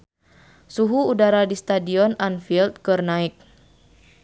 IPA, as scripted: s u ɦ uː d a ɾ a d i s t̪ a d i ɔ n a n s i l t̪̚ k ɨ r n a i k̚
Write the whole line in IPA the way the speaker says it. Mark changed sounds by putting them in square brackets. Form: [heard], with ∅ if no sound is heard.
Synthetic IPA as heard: s u ɦ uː d a ɾ a d i s t̪ a d i ɔ n a n [f] i l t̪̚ k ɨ r n a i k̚